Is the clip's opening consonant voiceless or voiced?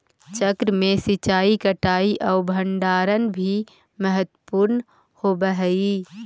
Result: voiceless